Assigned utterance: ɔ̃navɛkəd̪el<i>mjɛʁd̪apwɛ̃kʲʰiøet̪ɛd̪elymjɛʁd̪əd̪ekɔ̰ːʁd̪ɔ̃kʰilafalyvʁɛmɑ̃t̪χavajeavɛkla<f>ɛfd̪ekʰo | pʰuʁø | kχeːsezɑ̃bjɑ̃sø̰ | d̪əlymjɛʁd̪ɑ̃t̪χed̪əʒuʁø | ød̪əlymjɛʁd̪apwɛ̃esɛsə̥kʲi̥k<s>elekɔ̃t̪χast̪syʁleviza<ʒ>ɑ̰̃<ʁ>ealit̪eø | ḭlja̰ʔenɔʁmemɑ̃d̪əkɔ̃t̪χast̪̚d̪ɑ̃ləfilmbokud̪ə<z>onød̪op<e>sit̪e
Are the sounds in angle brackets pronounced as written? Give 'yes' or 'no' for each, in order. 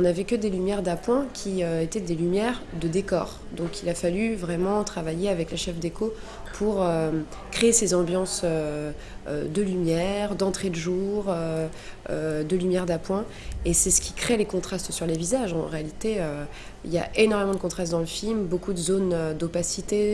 no, no, no, yes, yes, yes, no

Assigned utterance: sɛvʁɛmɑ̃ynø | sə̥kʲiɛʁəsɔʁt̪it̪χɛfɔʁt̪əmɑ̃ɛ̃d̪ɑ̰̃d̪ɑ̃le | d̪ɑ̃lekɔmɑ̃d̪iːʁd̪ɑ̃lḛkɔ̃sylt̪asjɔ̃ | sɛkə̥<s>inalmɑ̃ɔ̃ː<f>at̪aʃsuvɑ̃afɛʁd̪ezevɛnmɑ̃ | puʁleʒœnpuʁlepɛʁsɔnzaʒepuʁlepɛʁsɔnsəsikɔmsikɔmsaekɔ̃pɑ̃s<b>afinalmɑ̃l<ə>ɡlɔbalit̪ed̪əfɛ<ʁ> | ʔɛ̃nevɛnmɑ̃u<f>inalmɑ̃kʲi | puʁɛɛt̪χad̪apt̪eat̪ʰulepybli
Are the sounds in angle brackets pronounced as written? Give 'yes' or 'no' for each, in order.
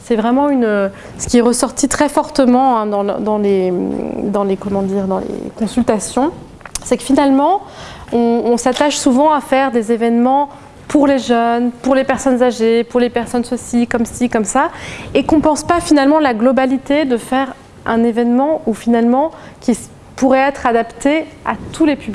no, no, no, no, yes, yes

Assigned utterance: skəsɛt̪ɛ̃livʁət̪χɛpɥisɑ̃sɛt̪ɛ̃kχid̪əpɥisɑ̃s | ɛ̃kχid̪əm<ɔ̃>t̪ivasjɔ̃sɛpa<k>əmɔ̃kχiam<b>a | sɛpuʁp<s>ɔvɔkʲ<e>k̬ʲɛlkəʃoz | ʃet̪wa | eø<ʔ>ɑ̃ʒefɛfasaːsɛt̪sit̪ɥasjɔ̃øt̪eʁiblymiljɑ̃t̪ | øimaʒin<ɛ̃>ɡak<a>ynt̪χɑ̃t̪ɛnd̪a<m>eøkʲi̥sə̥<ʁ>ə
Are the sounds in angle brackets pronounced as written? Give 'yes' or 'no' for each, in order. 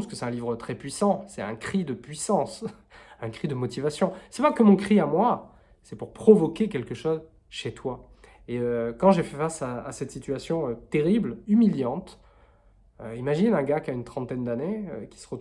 no, yes, no, no, yes, no, yes, yes, no, yes

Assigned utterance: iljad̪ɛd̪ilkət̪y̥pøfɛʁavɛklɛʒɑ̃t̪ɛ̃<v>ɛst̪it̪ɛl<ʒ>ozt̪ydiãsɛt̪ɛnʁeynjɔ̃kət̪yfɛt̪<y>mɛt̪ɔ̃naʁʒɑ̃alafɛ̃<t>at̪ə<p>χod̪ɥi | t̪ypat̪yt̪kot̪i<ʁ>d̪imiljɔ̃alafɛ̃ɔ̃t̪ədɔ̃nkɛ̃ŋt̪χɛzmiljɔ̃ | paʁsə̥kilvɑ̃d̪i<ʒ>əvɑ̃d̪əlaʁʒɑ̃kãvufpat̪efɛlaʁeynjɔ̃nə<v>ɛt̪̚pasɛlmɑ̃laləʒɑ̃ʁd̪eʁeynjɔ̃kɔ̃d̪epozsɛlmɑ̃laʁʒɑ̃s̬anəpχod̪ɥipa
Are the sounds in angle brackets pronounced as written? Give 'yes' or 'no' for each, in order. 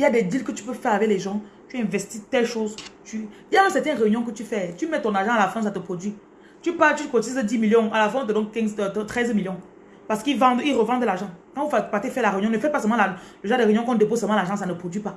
yes, no, yes, no, yes, no, no, no

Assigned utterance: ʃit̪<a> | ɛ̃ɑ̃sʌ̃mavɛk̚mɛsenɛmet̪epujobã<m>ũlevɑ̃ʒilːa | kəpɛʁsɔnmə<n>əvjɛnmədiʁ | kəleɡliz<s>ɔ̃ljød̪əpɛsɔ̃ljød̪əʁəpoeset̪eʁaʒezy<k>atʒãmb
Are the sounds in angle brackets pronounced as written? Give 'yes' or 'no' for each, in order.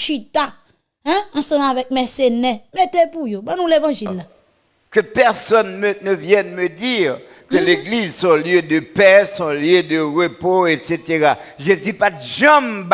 yes, no, yes, yes, no

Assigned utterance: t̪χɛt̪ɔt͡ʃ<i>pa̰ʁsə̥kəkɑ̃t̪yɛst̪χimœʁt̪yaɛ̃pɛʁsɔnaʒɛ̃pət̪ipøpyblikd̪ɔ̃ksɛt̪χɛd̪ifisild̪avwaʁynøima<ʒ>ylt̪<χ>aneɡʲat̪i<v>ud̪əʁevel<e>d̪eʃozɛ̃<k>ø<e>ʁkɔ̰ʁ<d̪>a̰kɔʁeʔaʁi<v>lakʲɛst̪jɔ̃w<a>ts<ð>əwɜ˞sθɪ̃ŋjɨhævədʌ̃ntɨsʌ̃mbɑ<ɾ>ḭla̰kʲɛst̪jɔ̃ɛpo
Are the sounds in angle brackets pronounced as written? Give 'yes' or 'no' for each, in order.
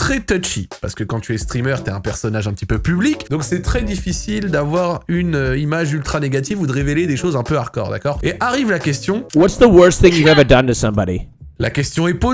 yes, yes, yes, yes, yes, no, no, yes, yes, no, yes, yes

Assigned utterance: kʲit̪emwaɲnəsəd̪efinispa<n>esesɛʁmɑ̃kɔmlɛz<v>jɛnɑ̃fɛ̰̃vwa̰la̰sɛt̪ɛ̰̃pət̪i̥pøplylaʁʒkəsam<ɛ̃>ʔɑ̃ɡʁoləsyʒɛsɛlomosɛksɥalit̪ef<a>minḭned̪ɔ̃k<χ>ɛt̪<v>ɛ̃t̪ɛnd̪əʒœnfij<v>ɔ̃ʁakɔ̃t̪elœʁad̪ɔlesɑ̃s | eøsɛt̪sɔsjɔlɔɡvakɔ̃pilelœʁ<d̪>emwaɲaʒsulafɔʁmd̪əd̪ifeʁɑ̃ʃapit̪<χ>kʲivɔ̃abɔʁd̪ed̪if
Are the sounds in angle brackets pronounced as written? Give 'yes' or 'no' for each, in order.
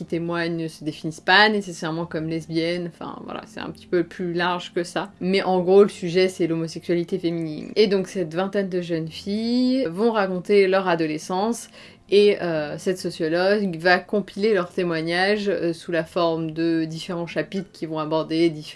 yes, no, no, no, no, yes, yes, no, yes

